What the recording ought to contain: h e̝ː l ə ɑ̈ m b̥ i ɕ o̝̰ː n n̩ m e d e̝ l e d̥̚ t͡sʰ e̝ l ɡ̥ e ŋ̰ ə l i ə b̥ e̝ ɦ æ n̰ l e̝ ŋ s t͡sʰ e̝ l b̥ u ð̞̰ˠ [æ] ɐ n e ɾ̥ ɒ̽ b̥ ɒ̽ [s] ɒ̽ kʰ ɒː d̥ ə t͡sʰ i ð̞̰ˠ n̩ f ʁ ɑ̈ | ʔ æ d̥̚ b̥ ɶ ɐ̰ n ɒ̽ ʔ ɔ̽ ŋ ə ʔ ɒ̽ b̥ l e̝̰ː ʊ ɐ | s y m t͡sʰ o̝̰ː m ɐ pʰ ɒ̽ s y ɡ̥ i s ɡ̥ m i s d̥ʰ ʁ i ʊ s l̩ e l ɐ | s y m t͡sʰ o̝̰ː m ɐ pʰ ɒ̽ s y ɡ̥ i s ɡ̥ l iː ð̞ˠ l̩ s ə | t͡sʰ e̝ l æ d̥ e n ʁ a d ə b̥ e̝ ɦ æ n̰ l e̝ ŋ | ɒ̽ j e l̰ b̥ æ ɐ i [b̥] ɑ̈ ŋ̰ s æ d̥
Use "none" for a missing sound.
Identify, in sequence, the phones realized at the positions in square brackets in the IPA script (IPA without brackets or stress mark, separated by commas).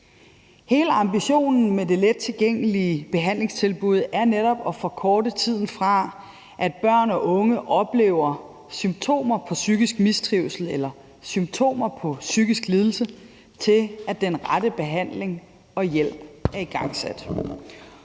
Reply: æ, f, ɡ̥